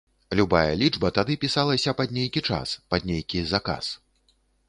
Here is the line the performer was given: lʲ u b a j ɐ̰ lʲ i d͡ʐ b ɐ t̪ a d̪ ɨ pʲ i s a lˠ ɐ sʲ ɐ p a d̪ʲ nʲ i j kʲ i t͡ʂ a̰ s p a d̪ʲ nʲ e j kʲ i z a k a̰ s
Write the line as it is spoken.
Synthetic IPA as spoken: lʲ u b a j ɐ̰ lʲ i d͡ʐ b ɐ t̪ a d̪ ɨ pʲ i s a lˠ ɐ sʲ ɐ p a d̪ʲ nʲ e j kʲ i t͡ʂ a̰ s p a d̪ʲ nʲ e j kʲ i z a k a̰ s